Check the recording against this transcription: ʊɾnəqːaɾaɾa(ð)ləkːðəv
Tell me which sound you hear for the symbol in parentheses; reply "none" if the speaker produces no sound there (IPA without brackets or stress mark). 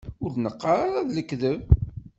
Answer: ð